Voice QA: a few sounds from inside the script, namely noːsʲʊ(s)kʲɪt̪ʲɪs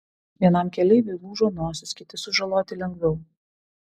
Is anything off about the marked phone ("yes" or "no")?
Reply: no